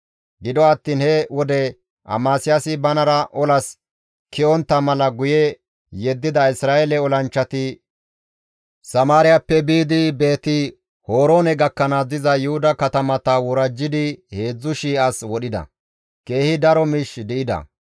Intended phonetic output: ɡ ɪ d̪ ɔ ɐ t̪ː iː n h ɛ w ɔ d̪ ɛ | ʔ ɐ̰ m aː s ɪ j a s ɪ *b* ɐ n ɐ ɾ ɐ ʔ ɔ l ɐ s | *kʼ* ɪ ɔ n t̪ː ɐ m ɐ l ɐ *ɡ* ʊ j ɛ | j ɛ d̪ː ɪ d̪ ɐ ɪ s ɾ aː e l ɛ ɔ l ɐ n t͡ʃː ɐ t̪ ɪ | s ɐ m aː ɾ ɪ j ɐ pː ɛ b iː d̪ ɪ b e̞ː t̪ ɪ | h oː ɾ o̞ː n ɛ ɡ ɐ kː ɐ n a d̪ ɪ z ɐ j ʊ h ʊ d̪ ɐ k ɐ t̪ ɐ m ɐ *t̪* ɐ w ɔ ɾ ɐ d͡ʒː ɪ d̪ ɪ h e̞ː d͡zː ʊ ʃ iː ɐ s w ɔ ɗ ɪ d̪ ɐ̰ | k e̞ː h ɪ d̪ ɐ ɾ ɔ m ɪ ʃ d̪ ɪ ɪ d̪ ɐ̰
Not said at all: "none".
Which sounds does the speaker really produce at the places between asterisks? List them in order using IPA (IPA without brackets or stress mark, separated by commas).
b, k, ɡ, t̪